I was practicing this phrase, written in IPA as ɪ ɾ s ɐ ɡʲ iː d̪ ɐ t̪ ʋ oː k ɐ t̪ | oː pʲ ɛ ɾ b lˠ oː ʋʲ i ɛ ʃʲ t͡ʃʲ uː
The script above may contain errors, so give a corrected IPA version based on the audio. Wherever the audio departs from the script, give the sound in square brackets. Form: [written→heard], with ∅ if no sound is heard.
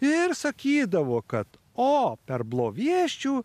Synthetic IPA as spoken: ɪ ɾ s ɐ [ɡʲ→kʲ] iː d̪ ɐ [t̪→∅] ʋ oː k ɐ t̪ | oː pʲ ɛ ɾ b lˠ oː ʋʲ i ɛ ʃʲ t͡ʃʲ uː